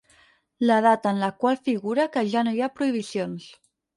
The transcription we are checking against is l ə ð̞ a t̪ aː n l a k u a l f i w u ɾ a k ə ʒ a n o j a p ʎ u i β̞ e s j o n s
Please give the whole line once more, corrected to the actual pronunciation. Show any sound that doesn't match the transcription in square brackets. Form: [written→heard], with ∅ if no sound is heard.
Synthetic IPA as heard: l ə ð̞ a t̪ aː n l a k [u→w] a l f i [w→ɣ] u ɾ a k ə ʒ a n o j a p [ʎ→ɾ] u i β̞ [e→i] s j o n s